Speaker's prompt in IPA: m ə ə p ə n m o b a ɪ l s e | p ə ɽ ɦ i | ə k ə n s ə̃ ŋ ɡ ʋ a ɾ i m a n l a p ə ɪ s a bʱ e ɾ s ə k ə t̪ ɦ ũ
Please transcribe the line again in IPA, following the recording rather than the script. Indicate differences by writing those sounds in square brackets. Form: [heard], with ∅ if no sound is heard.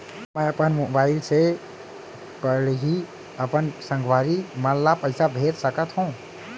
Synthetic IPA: m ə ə p ə n m o b a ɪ l s e | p ə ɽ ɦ i | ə [p] ə n s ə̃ ŋ ɡ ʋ a ɾ i m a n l a p ə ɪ s a bʱ e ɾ s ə k ə t̪ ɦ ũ